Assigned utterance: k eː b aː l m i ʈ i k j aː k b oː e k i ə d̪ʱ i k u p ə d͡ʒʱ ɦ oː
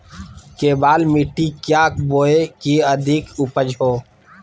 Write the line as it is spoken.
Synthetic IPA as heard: k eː b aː l m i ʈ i k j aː k b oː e k i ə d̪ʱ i k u p ə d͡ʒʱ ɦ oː

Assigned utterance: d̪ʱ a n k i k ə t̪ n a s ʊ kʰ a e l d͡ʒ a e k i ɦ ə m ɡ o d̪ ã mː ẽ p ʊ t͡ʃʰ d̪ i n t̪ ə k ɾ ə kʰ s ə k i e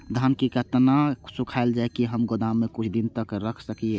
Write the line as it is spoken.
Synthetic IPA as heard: d̪ʱ a n k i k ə t̪ n a s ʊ kʰ a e l d͡ʒ a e k i ɦ ə m ɡ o d̪ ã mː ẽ k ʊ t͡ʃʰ d̪ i n t̪ ə k ɾ ə kʰ s ə k i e

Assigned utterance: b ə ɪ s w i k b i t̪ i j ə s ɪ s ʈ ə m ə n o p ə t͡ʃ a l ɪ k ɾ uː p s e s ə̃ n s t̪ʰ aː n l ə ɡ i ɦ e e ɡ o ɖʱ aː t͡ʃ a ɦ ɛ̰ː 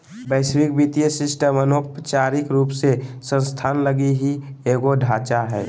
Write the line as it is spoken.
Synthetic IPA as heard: b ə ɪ s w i k b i t̪ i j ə s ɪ s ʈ ə m ə n o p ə t͡ʃ a ɾ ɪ k ɾ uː p s e s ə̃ n s t̪ʰ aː n l ə ɡ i ɦ i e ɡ o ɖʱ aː t͡ʃ a ɦ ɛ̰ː

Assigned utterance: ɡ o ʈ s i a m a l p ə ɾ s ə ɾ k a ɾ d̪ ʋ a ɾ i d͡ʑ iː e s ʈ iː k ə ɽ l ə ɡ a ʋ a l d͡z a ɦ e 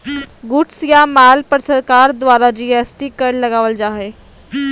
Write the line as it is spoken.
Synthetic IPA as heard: ɡ u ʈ s j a m a l p ə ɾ s ə ɾ k a ɾ d̪ ʋ a ɾ a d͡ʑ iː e s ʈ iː k ə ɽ l ə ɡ a ʋ ə l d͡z a ɦ e

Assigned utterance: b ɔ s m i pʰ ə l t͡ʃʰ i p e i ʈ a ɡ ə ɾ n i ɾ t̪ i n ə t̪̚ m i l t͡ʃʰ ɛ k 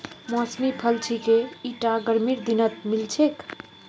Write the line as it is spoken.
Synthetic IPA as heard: m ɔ s m i pʰ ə l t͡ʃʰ i k e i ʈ a ɡ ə ɾ m i ɾ d̪ i n ə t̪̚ m i l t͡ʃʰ e k

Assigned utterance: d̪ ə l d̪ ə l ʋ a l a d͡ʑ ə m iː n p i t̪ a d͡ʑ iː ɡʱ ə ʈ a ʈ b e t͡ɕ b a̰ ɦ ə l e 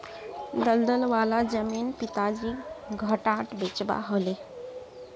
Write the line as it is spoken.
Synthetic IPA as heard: d̪ ə l d̪ ə l ʋ a l a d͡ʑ ə m iː n p i t̪ a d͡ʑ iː ɡʱ ə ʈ a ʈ b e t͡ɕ b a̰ ɦ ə l e

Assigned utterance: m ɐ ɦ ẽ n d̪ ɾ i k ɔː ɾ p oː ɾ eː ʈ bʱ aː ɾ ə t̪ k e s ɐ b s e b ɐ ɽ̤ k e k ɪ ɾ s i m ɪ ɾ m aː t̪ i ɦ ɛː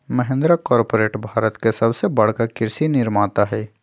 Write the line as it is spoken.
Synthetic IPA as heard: m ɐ ɦ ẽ n d̪ ɾ a k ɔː ɾ p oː ɾ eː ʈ bʱ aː ɾ ə t̪ k e s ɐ b s e b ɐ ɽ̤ k a k ɪ ɾ s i n ɪ ɾ m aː t̪ a ɦ ɛː

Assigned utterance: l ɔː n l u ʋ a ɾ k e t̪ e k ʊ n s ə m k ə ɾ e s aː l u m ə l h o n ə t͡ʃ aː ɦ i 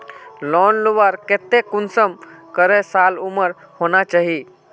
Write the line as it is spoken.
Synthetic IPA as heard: l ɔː n l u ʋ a ɾ k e t̪ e k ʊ n s ə m k ə ɾ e s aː l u m ə ɾ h o n a t͡ʃ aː ɦ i

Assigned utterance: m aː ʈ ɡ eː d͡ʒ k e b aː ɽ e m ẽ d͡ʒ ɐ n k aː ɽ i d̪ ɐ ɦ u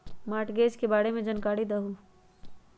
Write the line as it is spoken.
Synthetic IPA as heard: m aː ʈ ɡ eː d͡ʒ k e b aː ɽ e m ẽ d͡ʒ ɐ n k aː ɽ i d̪ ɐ ɦ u

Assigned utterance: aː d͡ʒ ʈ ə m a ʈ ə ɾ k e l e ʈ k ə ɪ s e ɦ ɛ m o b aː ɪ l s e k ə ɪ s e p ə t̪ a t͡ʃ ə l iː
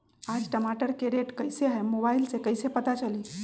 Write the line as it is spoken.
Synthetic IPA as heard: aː d͡ʒ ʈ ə m a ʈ ə ɾ k e ɾ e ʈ k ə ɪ s e ɦ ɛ m o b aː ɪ l s e k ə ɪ s e p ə t̪ a t͡ʃ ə l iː

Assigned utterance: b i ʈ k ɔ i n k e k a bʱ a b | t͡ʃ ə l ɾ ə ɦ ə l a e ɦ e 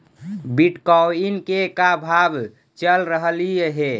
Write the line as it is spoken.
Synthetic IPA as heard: b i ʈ k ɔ i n k e k a bʱ a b | t͡ʃ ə l ɾ ə ɦ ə l i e ɦ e

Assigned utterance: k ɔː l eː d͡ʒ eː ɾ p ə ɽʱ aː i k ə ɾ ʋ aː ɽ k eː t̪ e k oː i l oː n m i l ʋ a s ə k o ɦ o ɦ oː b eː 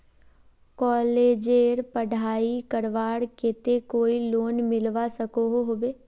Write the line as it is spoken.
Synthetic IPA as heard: k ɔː l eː d͡ʒ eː ɾ p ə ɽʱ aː i k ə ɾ ʋ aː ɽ k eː t̪ e k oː i l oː n m ɪ l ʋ a s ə k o ɦ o ɦ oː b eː

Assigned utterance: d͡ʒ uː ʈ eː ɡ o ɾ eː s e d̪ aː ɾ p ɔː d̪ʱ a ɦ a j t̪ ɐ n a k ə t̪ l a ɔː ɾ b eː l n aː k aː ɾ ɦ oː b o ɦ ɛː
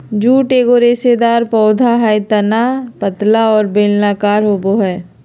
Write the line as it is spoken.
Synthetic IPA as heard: d͡ʒ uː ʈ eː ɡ o ɾ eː s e d̪ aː ɾ p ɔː d̪ʱ a ɦ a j t̪ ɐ n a p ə t̪ l a ɔː ɾ b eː l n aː k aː ɾ ɦ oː b o ɦ ɛː

